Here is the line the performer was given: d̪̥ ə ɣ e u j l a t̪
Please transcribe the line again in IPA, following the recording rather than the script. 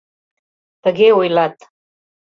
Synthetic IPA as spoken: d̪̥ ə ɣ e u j l a t̪